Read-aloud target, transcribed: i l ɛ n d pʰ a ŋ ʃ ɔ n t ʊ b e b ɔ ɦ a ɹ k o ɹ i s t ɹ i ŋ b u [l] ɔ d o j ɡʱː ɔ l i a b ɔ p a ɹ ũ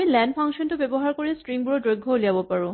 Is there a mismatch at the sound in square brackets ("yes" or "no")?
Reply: yes